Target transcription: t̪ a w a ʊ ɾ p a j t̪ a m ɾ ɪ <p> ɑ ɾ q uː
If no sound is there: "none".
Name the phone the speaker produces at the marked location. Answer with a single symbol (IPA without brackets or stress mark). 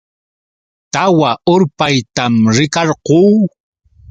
k